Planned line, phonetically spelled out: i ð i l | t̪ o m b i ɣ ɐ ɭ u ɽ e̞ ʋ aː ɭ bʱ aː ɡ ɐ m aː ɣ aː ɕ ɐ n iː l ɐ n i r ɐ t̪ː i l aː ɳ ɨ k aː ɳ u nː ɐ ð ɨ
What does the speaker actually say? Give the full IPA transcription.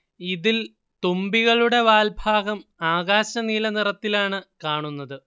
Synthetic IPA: i ð i l | t̪ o m b i ɣ ɐ ɭ u ɽ e̞ ʋ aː l bʱ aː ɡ ɐ m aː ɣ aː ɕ ɐ n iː l ɐ n i r ɐ t̪ː i l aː ɳ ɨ k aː ɳ u nː ɐ ð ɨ